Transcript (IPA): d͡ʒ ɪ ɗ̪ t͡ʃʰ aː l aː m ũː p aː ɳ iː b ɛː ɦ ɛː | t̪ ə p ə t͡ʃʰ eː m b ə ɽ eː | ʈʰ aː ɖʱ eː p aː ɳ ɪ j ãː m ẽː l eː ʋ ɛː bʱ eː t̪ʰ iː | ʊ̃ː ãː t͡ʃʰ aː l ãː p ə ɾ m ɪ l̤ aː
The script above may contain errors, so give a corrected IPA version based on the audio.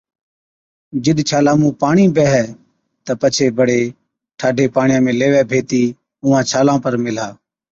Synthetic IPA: d͡ʒ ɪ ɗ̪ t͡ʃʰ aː l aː m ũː p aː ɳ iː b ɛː ɦ ɛː | t̪ ə p ə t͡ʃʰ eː b ə ɽ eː | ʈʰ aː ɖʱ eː p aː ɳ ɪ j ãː m ẽː l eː ʋ ɛː bʱ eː t̪ iː | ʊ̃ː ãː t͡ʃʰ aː l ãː p ə ɾ m ɪ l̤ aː